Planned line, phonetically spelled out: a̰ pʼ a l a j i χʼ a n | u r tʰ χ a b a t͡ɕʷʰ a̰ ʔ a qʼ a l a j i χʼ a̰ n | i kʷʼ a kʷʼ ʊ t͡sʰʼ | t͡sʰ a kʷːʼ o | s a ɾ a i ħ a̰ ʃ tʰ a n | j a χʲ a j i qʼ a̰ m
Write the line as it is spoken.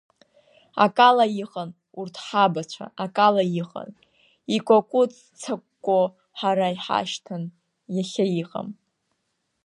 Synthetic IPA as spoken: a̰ kʼ a l a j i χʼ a n | u r tʰ ħ a b a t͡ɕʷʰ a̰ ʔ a kʼ a l a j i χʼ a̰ n | i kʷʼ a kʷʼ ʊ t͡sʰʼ | t͡sʰ a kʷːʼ o | ħ a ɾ a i ħ a̰ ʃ tʰ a n | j a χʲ a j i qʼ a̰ m